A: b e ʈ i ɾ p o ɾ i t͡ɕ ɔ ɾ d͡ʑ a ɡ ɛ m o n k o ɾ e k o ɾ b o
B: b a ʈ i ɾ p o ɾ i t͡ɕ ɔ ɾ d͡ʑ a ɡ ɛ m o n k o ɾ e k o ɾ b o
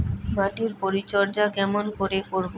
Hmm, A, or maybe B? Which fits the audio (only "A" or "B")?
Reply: B